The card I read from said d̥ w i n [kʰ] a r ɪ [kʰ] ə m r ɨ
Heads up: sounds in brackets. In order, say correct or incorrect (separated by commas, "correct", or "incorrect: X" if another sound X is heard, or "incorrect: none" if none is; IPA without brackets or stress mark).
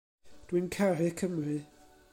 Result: correct, correct